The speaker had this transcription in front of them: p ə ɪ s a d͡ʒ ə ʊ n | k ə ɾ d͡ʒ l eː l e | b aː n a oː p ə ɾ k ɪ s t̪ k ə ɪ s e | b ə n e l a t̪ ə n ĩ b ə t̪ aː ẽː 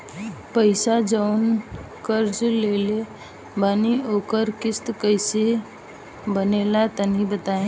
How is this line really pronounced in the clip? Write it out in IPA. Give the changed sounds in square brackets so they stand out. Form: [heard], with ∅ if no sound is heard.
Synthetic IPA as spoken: p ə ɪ s a d͡ʒ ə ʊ n | k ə ɾ d͡ʒ l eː l e | b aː n [i] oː [k] ə ɾ k ɪ s t̪ k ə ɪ s e | b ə n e l a t̪ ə n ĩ b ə t̪ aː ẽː